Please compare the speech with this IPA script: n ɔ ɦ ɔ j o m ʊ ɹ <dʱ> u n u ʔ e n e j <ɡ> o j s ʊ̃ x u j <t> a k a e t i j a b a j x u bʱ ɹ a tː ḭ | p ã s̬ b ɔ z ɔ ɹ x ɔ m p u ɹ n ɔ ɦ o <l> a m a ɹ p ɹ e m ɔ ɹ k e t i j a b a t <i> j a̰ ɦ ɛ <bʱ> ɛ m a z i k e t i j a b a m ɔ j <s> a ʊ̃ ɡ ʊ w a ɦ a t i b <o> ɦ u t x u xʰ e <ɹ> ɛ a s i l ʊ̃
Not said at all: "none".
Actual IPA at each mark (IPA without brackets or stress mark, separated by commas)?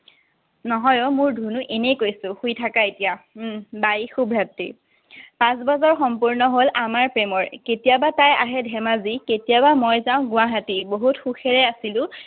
dʱ, k, tʰ, l, a, dʱ, z, o, ɹ